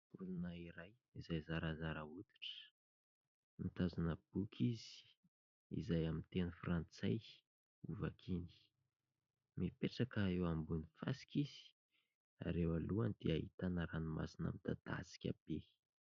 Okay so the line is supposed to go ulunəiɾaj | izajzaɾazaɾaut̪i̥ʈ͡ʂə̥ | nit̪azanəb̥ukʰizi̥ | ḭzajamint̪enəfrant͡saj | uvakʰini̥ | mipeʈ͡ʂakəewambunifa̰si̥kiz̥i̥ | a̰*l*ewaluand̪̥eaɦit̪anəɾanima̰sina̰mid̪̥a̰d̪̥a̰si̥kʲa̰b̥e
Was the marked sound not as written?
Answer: yes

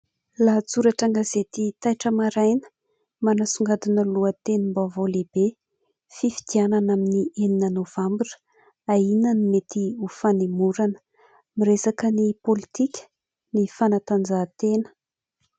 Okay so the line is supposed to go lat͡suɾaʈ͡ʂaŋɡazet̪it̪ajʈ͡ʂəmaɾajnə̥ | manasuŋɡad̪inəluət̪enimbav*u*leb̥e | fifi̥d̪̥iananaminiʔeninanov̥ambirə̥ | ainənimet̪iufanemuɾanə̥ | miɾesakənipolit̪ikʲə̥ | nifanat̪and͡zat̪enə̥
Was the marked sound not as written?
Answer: yes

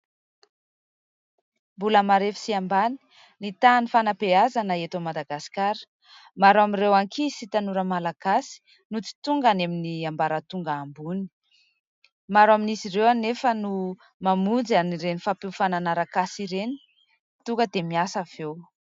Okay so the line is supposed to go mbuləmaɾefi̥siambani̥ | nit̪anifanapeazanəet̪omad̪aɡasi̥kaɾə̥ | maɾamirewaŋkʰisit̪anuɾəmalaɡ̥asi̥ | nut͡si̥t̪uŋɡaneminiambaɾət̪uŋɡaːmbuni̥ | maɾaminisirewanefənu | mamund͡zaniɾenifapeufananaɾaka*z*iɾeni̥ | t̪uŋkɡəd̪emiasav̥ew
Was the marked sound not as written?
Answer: yes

